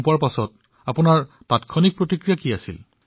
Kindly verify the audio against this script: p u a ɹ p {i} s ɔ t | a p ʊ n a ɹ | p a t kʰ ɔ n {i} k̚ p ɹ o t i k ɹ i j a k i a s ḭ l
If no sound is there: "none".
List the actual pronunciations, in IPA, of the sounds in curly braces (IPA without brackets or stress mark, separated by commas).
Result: a, i